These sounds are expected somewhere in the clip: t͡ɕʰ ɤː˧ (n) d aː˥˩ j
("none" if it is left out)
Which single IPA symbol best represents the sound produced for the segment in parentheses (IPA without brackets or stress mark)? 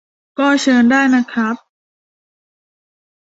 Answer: n